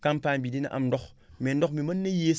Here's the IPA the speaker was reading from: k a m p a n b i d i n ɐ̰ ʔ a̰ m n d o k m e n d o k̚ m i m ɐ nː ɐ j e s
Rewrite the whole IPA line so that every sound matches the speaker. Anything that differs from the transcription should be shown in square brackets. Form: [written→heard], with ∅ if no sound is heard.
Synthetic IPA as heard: k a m p a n b i d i n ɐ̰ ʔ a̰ m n d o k m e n d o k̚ m i m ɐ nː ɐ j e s